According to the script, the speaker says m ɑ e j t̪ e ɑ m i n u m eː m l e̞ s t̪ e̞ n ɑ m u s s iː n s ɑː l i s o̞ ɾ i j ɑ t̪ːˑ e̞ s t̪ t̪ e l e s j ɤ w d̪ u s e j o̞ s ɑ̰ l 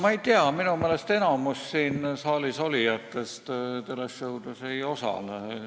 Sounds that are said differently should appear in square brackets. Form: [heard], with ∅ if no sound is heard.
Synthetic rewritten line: m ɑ e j t̪ e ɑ m i n u m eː [∅] l e̞ s t̪ e̞ n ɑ m u s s iː n s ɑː l i s o̞ [l] i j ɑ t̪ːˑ e̞ s t̪ t̪ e l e s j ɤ w d̪ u s e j o̞ s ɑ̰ l